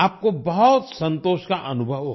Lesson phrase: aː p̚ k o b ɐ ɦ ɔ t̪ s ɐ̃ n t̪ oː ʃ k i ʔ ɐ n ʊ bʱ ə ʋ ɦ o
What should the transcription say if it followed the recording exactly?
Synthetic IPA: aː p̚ k o b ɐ ɦ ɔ t̪ s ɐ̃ n t̪ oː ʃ k a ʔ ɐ n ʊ bʱ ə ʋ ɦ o